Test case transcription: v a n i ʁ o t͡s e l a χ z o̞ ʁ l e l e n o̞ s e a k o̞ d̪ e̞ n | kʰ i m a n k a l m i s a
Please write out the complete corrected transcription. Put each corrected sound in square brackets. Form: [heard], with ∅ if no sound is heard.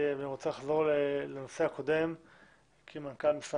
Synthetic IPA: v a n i ʁ o t͡s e l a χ z o̞ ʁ l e l e n o̞ s e a k o̞ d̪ e̞ [m] | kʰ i m a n k a l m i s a